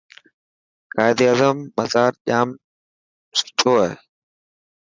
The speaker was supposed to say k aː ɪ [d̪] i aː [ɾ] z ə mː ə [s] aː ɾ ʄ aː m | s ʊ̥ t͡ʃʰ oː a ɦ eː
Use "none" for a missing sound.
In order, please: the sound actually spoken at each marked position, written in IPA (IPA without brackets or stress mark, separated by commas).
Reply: d̪, none, z